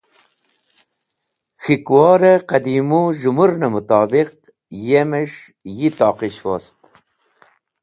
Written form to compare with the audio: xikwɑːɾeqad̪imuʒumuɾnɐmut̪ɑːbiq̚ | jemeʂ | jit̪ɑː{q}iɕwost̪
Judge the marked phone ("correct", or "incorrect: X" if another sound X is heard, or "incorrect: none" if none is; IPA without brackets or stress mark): correct